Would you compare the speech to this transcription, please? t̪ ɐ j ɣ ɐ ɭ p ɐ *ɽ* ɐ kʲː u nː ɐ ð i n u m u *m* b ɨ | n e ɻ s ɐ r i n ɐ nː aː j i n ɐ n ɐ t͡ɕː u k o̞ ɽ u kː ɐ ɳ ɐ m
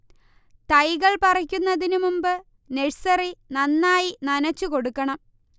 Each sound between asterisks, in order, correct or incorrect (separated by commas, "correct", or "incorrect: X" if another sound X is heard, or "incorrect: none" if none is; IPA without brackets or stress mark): incorrect: r, correct